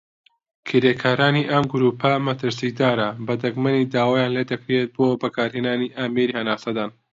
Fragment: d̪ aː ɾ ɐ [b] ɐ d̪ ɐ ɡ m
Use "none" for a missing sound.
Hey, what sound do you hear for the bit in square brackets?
b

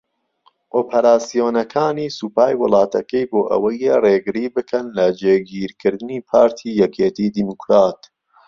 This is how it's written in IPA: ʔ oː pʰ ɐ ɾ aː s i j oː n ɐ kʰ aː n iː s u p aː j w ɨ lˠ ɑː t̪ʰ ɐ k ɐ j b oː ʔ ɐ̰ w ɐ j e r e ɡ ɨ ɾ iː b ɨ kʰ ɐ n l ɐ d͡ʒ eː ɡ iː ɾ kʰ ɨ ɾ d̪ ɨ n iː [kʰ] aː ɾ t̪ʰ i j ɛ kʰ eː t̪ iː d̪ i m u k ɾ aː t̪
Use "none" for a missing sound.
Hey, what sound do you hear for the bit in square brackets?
pʰ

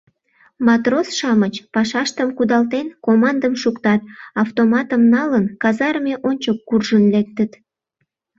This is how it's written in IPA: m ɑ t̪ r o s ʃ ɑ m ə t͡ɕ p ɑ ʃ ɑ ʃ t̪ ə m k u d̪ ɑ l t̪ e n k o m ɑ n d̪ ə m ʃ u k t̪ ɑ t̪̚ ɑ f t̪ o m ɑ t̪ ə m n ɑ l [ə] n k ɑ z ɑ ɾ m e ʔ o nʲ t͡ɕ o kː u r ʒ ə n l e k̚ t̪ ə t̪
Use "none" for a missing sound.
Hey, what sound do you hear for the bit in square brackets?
ə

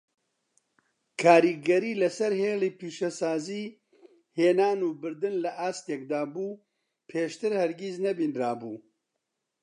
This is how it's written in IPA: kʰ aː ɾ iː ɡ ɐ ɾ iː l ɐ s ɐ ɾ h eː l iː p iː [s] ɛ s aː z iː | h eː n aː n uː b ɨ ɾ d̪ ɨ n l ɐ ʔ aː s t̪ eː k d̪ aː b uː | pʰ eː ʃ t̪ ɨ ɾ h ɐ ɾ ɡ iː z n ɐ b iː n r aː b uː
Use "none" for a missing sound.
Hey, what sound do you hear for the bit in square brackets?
ʃ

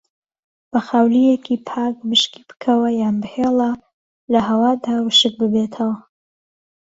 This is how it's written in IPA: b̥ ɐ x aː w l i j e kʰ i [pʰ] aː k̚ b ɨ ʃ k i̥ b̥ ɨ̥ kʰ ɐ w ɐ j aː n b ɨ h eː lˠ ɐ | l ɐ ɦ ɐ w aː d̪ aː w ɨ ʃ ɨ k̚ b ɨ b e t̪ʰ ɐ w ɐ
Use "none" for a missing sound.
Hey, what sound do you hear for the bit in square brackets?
pʰ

